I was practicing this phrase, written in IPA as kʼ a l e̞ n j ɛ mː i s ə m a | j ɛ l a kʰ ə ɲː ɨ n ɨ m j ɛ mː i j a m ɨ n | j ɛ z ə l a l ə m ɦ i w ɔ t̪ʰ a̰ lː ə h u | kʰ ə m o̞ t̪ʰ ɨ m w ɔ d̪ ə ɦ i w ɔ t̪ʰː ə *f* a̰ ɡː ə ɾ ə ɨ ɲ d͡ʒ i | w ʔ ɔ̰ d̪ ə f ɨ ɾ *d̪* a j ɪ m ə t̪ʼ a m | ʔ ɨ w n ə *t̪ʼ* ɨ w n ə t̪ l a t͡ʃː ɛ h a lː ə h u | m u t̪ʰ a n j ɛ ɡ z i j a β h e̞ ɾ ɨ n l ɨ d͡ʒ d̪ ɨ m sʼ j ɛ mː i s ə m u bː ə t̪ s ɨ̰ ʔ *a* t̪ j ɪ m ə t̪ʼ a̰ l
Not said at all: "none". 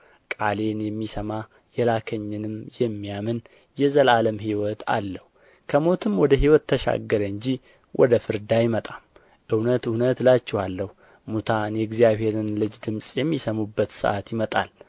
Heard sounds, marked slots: ʃ, d̪, t̪, a

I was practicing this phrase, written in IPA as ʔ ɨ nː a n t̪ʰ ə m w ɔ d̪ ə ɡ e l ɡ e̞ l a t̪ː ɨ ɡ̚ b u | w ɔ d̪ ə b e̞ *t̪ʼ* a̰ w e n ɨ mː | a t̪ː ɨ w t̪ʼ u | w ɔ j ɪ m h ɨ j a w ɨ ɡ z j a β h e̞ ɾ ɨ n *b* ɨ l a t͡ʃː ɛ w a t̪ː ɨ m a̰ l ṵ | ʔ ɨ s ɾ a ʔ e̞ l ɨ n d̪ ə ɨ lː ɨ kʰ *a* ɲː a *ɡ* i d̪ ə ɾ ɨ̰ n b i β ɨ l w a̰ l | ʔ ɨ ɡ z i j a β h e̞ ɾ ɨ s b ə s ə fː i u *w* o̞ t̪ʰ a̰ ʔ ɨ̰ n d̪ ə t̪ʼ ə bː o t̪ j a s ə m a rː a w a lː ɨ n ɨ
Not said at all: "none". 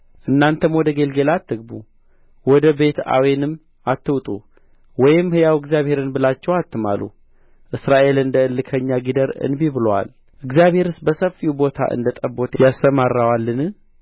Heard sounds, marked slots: t̪, b, ə, ɡ, b

